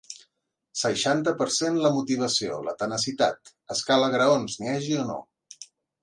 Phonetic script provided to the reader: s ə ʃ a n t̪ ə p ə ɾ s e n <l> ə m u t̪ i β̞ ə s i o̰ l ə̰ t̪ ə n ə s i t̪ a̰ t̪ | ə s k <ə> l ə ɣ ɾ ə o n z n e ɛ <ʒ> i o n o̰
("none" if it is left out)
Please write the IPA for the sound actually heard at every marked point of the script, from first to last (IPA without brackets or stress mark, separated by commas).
l, a, ʒ